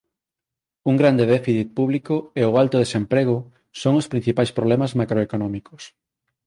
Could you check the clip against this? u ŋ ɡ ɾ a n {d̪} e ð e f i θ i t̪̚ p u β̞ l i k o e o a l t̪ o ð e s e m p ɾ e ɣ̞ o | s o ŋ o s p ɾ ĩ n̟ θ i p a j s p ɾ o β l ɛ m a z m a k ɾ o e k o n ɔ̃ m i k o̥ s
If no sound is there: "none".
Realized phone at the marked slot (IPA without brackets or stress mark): d̪